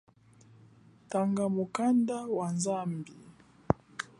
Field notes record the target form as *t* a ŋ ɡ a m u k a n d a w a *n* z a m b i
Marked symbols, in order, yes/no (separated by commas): yes, yes